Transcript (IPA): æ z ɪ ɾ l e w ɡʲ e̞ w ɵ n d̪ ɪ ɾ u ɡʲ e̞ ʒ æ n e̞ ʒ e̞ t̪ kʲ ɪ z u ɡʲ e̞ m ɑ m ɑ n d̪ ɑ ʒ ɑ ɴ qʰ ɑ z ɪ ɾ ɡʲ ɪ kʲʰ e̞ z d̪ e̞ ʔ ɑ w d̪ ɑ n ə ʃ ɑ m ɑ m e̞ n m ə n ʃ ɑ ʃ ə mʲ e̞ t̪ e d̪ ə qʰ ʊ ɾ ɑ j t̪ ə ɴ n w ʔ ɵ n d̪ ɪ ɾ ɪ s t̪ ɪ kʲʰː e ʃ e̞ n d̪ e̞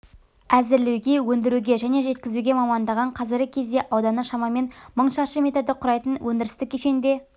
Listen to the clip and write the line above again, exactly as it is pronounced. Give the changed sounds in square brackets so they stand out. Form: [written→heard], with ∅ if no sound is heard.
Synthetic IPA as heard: æ z ɪ ɾ l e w ɡʲ e̞ w ɵ n d̪ ɪ ɾ u ɡʲ e̞ ʒ æ n e̞ ʒ e̞ t̪ kʲ ɪ z u ɡʲ e̞ m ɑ m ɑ n d̪ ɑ [ʒ→ʁ] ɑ ɴ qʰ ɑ z ɪ ɾ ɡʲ ɪ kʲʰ e̞ z d̪ e̞ ʔ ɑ w d̪ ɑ n ə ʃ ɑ m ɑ m e̞ n m ə [n→ɴ] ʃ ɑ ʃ ə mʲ e̞ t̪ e d̪ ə qʰ ʊ ɾ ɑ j t̪ ə [ɴ→∅] n w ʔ ɵ n d̪ ɪ ɾ ɪ s t̪ ɪ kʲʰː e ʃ e̞ n d̪ e̞